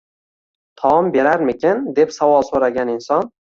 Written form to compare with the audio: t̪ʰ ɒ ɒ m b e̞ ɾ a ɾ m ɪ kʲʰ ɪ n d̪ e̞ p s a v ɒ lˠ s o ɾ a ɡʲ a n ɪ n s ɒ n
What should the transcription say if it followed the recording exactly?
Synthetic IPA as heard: t̪ʰ ɒ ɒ m b e̞ ɾ a ɾ m ɪ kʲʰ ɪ n d̪ e̞ p s a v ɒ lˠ s o ɾ a ɡʲ a n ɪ n s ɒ n